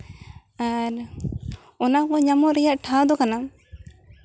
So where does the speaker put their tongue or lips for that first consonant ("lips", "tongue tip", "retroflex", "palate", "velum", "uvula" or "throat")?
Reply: tongue tip